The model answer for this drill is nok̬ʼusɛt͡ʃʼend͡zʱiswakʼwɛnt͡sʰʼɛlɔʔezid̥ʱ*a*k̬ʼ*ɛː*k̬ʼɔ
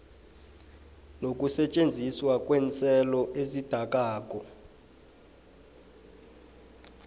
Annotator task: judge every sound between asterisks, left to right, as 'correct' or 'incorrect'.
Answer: correct, incorrect: aː

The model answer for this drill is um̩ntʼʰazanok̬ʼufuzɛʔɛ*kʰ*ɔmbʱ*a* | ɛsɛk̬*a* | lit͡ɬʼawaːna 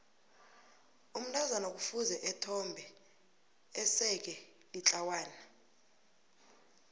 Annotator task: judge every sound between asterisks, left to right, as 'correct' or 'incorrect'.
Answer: incorrect: tʰ, incorrect: ɛ, incorrect: ɛ

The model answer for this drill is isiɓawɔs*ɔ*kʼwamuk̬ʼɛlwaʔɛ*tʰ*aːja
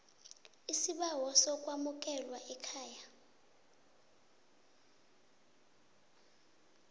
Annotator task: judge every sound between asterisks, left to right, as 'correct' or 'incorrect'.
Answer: correct, incorrect: kʰ

